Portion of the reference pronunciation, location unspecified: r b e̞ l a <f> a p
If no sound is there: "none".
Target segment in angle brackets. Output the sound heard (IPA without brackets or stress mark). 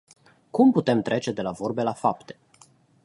f